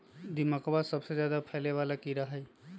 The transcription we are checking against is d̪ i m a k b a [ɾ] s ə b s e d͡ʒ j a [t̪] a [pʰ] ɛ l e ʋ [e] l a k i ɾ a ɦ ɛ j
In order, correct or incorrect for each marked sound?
incorrect: none, incorrect: d̪, correct, incorrect: a

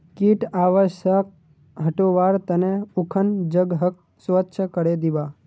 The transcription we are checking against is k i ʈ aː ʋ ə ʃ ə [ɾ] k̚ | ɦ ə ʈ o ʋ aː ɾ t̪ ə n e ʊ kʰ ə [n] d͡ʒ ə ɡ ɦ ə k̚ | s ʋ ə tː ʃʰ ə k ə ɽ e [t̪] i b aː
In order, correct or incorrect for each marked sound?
incorrect: none, correct, incorrect: d̪

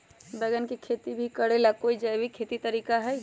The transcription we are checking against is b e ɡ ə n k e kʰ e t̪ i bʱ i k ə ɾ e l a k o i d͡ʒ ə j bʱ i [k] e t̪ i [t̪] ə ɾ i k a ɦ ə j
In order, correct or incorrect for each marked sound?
incorrect: kʰ, correct

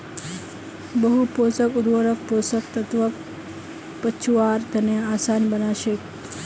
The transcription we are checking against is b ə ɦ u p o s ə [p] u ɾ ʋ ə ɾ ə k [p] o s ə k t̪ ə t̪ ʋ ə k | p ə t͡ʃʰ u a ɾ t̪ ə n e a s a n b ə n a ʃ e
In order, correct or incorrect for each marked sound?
incorrect: k, correct

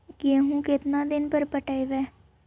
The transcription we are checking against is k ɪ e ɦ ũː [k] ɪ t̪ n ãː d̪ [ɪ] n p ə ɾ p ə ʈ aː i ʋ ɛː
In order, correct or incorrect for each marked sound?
correct, correct

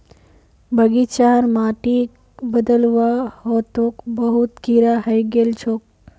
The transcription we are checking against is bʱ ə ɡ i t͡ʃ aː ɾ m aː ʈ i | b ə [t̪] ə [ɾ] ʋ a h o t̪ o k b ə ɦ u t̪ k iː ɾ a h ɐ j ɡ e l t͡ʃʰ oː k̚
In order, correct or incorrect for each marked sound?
incorrect: d̪, incorrect: l

